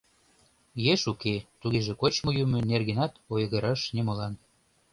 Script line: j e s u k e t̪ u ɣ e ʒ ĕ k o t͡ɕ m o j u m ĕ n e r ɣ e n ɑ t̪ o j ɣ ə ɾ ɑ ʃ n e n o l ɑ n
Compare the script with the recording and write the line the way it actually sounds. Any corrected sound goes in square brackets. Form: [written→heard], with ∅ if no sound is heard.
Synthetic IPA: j e [s→ʃ] u k e t̪ u ɣ e ʒ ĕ k o t͡ɕ m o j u m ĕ n e r ɣ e n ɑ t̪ o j ɣ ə ɾ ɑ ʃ n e [n→m] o l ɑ n